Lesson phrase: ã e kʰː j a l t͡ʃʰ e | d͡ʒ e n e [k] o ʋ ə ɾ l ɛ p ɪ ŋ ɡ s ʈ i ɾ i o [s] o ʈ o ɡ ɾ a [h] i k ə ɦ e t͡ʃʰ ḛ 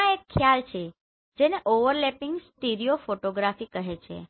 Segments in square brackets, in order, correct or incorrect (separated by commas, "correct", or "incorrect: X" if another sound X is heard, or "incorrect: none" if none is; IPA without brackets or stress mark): incorrect: ʔ, incorrect: f, incorrect: f